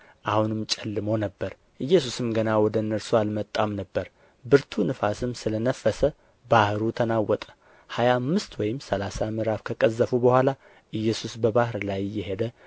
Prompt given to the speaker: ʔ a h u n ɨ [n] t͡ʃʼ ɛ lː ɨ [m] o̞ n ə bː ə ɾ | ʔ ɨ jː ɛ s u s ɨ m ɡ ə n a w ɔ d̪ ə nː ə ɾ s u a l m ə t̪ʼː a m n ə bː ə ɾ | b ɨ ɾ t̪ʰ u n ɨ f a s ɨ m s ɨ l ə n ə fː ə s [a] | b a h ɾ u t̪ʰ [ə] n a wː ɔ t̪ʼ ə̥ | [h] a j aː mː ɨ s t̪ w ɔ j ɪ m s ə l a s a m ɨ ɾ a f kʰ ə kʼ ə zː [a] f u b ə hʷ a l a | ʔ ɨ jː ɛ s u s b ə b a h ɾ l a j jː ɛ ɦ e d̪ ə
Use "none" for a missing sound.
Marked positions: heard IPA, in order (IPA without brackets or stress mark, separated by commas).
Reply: m, m, ə, ə, h, ə